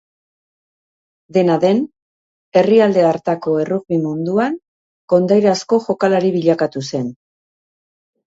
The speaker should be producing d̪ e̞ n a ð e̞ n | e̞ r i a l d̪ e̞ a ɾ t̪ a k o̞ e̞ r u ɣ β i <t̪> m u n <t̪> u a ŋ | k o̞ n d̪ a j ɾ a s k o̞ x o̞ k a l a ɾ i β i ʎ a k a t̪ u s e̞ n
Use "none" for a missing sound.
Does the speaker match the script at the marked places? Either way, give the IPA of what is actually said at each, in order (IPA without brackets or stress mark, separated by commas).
none, d̪